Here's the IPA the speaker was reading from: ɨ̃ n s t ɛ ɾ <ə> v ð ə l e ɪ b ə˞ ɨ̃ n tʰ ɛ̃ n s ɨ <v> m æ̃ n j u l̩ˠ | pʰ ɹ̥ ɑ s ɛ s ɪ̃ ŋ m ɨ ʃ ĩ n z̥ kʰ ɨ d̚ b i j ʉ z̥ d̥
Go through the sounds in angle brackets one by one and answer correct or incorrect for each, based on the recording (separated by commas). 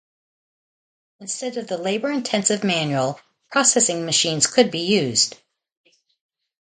incorrect, correct